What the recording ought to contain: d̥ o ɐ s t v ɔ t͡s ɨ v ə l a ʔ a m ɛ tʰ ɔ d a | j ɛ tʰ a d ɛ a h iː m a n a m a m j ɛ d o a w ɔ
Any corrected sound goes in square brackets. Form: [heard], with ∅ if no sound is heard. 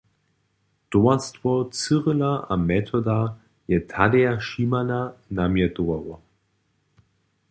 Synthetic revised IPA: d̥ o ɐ s t v ɔ t͡s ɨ [ʁ] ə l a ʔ a m ɛ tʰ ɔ d a | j ɛ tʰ a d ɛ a [ʃ] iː m a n a [n] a m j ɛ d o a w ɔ